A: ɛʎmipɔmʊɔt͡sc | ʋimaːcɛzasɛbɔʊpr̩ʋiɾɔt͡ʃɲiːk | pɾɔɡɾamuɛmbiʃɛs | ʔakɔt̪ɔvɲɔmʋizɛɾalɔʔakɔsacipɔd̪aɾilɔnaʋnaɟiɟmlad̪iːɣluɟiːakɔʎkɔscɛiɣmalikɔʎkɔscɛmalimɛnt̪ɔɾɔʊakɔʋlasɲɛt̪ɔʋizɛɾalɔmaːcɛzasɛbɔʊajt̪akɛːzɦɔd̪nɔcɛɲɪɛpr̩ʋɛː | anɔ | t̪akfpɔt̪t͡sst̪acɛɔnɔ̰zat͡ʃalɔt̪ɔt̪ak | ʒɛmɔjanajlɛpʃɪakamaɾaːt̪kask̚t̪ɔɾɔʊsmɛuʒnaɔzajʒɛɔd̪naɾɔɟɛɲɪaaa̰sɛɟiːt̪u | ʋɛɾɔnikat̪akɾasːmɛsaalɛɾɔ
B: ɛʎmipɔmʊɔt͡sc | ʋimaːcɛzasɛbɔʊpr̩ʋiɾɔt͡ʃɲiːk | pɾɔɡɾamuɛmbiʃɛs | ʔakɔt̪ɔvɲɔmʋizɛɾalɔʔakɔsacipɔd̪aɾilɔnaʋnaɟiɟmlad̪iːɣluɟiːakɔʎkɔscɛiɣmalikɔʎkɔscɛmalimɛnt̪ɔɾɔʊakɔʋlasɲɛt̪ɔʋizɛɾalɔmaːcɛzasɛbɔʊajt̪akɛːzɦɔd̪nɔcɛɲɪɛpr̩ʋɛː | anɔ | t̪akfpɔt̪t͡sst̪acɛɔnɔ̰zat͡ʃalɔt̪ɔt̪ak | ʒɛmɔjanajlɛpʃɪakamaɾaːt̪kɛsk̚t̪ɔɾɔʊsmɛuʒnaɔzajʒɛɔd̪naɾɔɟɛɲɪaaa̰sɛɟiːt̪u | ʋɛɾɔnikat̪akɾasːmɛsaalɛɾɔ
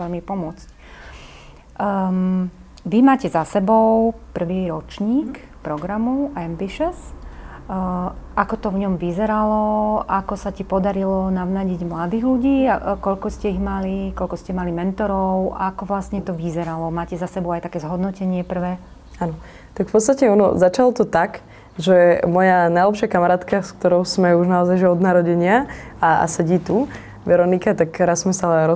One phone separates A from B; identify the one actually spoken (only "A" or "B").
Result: A